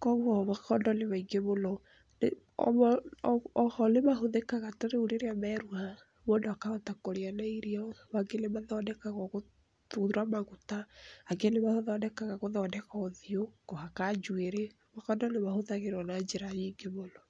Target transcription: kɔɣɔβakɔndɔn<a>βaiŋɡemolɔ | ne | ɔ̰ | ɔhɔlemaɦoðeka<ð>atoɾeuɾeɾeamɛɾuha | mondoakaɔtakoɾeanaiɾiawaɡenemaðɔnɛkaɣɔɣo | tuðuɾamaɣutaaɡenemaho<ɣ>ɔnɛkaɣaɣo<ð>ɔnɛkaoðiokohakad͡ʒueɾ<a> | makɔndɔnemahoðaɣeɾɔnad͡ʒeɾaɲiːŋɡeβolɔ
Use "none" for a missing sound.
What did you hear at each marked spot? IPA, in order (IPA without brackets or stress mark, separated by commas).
e, ɣ, ð, ð, e